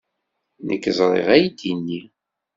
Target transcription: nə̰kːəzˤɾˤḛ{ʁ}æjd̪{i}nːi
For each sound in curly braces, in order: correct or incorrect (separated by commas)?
correct, correct